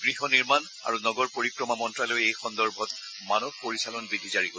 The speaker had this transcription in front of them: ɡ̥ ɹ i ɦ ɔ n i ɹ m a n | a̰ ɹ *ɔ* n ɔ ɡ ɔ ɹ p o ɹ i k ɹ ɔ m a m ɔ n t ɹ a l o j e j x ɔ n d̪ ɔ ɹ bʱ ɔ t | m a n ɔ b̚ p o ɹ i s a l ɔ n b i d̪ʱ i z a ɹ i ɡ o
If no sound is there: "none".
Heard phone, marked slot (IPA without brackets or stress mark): u